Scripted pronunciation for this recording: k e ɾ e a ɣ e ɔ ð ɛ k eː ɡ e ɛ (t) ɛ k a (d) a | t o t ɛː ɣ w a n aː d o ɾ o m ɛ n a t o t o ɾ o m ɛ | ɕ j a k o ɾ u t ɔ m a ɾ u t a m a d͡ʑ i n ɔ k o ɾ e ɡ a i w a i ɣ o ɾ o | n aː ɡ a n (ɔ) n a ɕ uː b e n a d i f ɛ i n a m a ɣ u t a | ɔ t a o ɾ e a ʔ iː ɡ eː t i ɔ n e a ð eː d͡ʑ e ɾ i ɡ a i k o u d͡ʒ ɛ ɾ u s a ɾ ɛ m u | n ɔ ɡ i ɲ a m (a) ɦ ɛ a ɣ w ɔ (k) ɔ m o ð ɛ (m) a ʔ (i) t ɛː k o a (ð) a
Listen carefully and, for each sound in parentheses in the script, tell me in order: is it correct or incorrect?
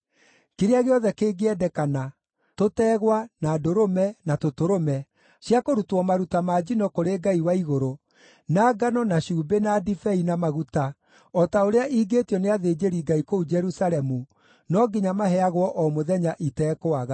incorrect, incorrect, correct, correct, incorrect, incorrect, correct, incorrect

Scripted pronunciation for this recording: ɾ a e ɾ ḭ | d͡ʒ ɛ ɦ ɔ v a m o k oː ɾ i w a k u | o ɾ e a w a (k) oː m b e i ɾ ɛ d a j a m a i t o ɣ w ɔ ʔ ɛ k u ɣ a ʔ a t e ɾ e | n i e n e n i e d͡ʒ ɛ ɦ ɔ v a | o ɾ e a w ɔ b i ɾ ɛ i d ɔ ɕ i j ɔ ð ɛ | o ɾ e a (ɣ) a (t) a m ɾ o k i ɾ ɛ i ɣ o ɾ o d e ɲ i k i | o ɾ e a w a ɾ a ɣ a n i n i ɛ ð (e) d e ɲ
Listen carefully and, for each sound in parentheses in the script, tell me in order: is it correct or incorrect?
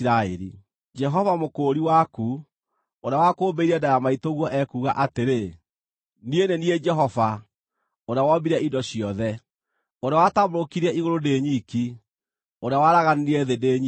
correct, incorrect, correct, correct

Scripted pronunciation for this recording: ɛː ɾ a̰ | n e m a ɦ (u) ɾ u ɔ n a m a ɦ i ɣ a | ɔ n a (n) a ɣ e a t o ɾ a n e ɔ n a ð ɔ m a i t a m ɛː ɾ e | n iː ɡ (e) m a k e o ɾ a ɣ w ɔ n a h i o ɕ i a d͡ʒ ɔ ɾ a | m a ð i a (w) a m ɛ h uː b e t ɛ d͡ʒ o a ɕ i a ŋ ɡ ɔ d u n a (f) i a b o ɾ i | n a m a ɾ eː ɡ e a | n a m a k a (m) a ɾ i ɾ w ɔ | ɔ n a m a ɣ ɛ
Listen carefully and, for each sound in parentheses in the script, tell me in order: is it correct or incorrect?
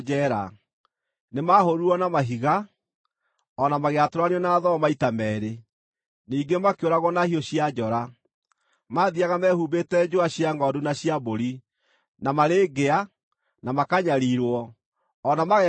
incorrect, incorrect, correct, incorrect, incorrect, incorrect

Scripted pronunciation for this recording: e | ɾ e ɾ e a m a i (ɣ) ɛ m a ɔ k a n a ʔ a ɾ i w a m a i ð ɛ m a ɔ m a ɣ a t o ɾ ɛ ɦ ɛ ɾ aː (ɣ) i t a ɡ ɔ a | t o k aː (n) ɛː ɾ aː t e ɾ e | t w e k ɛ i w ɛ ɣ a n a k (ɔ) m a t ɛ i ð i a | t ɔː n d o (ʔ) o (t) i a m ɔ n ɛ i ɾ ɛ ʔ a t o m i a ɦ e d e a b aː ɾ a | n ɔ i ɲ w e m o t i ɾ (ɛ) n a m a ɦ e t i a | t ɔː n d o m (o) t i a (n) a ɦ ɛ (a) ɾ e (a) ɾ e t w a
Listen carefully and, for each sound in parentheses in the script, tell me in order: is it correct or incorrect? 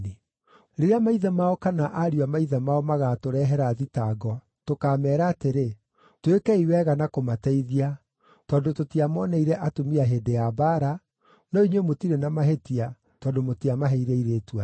incorrect, incorrect, incorrect, incorrect, incorrect, correct, incorrect, correct, incorrect, incorrect, incorrect

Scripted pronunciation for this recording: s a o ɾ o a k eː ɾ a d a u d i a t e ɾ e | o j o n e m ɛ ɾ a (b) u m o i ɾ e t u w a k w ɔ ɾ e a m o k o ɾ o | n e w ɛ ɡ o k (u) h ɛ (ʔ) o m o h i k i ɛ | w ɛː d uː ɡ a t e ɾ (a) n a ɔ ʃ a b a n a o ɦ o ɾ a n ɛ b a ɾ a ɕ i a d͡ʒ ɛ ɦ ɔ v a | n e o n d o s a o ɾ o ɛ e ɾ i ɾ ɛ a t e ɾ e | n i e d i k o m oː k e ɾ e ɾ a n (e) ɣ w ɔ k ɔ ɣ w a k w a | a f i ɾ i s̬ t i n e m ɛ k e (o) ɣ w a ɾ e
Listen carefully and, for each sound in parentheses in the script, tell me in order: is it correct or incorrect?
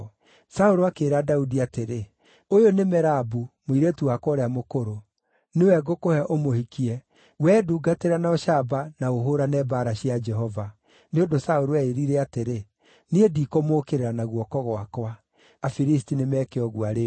correct, incorrect, correct, correct, incorrect, incorrect

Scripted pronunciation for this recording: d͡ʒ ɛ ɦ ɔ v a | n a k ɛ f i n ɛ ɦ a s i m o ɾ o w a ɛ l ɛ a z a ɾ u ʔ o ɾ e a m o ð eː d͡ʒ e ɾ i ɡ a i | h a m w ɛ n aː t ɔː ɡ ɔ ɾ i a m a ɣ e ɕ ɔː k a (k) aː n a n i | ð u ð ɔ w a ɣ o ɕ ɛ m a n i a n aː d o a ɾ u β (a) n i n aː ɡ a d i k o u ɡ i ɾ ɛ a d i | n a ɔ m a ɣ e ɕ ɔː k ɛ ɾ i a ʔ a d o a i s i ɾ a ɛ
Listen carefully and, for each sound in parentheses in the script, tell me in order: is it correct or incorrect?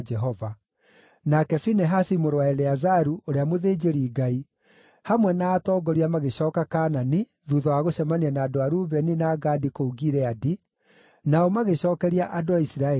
correct, incorrect

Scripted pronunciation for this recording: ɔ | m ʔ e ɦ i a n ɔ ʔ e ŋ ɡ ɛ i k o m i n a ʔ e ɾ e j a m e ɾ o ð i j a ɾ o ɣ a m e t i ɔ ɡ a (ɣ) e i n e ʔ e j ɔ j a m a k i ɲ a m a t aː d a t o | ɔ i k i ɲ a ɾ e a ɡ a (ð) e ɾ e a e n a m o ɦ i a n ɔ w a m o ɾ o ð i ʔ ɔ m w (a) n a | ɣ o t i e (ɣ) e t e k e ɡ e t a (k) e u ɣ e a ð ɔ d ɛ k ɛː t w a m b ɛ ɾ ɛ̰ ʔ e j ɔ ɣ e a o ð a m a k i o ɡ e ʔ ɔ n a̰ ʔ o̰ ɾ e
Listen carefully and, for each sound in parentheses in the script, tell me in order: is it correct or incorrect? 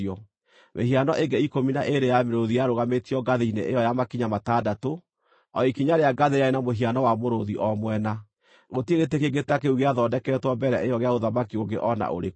incorrect, correct, incorrect, correct, correct

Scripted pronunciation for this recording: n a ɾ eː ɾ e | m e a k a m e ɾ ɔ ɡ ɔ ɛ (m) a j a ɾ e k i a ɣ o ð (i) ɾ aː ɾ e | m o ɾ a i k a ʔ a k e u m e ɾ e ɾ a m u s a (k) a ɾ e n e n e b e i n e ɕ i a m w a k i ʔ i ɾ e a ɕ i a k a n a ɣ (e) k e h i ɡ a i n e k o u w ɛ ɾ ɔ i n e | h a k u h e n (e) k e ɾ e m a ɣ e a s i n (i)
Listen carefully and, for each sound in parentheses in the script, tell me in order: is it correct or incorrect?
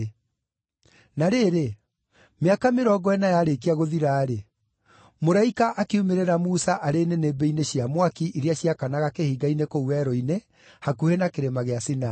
incorrect, correct, incorrect, incorrect, incorrect, incorrect

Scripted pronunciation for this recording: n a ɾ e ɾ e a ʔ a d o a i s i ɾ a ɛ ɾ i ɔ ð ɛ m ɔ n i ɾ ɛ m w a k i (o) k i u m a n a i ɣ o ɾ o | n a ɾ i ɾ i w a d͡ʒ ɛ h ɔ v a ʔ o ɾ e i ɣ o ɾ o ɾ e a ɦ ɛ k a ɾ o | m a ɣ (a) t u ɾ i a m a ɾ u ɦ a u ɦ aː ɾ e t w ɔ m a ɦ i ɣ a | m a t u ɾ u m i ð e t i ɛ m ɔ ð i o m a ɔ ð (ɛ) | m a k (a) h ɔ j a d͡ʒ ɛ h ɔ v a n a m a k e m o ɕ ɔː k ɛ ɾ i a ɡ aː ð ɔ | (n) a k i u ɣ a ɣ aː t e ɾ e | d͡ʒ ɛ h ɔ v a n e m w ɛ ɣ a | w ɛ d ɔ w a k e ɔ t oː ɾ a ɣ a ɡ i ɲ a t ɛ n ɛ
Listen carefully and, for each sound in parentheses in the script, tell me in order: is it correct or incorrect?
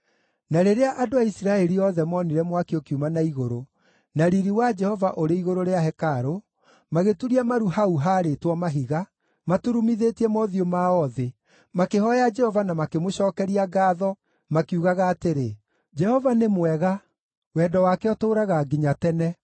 correct, incorrect, incorrect, incorrect, incorrect

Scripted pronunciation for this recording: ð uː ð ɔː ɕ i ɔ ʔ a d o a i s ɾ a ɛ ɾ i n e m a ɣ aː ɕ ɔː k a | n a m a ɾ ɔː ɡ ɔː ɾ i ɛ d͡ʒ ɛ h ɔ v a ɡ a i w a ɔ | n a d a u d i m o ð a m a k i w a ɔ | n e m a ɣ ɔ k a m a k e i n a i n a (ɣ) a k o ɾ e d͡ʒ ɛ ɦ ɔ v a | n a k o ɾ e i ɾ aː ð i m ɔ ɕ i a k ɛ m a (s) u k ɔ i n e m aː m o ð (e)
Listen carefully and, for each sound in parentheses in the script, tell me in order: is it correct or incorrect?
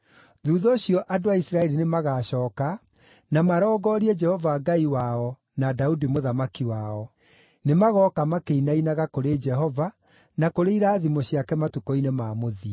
correct, incorrect, incorrect

